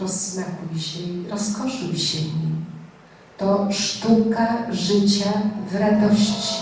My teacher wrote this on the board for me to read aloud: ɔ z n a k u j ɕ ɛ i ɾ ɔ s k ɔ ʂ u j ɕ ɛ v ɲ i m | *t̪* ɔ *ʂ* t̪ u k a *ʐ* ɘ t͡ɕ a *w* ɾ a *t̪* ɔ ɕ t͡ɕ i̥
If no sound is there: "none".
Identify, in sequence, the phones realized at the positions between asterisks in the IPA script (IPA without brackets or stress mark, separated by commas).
t̪, ʂ, ʐ, v, d̪